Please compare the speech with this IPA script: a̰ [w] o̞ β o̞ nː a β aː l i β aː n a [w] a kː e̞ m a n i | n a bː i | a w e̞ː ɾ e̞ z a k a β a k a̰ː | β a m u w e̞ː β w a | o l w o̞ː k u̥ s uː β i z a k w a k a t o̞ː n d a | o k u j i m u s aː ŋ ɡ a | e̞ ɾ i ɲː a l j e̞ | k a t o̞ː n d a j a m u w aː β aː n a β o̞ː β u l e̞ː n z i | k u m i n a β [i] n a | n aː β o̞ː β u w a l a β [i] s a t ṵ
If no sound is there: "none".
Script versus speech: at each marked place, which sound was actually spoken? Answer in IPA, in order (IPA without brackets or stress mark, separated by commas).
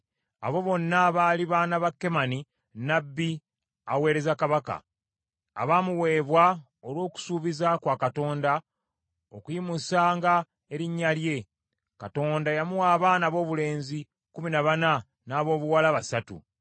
β, β, a, a